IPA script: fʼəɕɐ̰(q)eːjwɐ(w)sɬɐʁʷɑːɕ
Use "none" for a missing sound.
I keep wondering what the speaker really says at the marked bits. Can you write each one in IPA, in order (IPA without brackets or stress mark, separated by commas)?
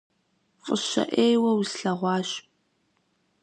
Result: ʔ, w